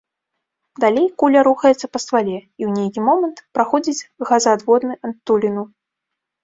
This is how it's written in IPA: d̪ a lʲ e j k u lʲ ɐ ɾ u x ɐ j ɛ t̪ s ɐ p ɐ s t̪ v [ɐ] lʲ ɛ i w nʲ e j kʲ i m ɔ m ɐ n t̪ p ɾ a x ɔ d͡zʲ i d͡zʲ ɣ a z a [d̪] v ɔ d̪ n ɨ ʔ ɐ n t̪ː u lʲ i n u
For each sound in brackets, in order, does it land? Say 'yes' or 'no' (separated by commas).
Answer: no, yes